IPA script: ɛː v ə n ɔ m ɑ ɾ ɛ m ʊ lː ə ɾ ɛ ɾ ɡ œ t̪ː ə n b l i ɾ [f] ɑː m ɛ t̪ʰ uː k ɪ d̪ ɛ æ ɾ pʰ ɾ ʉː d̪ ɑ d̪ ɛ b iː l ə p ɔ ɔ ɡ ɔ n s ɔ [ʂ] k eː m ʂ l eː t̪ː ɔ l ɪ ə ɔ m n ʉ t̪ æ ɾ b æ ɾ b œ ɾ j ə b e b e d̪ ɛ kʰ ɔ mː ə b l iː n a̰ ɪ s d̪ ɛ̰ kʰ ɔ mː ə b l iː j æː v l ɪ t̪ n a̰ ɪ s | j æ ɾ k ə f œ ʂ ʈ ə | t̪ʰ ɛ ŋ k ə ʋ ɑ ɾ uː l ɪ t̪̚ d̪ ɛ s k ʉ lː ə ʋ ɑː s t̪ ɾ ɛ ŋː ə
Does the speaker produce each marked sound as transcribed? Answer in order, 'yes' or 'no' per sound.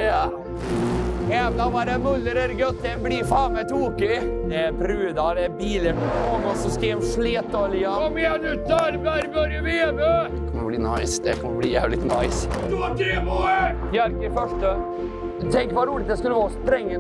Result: yes, no

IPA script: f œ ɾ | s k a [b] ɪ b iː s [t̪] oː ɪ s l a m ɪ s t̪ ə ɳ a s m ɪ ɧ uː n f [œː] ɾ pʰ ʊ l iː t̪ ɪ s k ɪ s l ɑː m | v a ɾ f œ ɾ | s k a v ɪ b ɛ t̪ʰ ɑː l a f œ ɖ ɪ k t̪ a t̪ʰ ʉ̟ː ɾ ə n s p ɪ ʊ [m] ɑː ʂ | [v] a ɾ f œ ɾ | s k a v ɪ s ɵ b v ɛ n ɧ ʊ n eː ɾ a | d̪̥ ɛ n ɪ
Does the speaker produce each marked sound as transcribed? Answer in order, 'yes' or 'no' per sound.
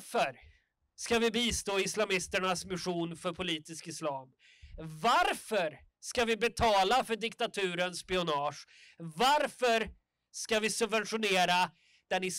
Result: no, yes, no, no, yes

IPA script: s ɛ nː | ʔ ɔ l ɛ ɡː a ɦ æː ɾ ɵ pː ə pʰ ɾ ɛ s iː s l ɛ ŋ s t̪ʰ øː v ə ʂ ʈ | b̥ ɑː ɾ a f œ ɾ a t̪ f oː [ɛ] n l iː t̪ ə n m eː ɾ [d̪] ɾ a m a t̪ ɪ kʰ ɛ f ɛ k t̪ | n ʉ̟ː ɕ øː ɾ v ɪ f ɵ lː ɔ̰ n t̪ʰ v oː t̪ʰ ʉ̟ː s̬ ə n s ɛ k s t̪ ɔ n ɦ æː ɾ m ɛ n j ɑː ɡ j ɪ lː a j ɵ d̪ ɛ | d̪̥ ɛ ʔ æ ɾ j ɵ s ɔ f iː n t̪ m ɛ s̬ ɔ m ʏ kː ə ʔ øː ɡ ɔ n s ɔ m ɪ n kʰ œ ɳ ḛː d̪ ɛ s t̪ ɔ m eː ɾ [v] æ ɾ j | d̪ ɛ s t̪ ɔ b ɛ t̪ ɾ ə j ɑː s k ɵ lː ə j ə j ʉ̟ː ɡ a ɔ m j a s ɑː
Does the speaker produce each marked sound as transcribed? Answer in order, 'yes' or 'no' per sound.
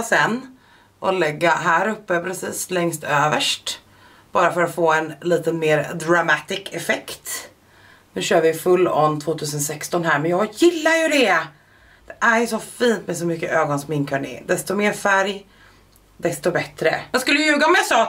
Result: yes, yes, no

